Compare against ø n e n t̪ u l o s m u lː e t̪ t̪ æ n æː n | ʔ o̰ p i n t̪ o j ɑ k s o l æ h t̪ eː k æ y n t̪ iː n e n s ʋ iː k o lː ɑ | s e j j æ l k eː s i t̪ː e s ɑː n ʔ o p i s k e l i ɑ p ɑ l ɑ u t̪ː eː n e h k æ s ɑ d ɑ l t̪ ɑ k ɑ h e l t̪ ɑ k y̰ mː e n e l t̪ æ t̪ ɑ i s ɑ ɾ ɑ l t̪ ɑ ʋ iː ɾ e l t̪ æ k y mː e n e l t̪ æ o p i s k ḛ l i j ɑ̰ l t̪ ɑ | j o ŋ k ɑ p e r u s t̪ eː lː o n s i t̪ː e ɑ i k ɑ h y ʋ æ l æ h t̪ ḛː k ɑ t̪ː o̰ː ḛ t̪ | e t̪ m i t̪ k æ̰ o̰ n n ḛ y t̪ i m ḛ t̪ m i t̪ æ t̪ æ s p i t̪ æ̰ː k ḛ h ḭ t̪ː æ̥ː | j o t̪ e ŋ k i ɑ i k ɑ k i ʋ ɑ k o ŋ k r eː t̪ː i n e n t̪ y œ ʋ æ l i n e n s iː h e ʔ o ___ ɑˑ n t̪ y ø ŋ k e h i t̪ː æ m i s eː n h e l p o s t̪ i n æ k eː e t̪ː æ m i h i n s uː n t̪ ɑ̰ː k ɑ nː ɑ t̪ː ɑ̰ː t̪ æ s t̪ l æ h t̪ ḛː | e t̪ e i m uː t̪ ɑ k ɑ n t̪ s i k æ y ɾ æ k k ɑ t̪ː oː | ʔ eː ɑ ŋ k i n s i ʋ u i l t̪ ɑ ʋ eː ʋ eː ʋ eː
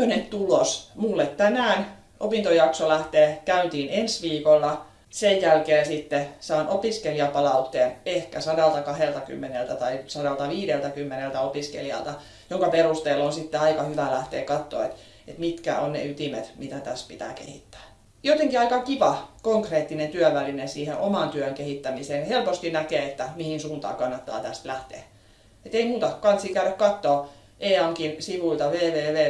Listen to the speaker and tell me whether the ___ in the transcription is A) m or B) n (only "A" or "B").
A